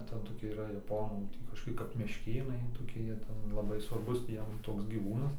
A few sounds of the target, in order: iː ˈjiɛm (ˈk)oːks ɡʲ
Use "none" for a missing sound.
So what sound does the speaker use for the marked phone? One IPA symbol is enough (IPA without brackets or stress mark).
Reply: t